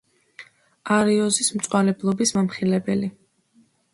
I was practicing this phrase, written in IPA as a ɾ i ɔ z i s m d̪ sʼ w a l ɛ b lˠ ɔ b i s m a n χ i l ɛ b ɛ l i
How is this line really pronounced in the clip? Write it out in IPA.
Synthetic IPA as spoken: a ɾ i ɔ z i s m t̪ sʼ w a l ɛ b lˠ ɔ b i s m a m χ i l ɛ b ɛ l i